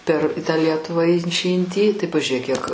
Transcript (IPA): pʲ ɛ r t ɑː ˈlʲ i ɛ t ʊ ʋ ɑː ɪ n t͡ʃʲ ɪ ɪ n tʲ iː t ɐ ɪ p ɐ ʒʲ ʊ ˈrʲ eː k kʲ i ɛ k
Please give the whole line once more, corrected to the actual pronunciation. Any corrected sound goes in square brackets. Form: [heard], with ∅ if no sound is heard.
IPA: pʲ ɛ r t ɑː ˈlʲ i ɛ t ʊ ʋ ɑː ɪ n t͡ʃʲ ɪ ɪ n tʲ iː t ɐ ɪ p ɐ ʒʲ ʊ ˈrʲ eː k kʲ i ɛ k